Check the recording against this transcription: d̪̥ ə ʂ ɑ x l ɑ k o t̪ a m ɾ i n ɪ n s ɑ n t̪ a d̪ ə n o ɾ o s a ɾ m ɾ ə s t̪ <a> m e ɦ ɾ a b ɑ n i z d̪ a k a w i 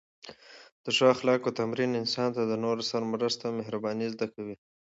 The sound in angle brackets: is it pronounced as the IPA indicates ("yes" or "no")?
yes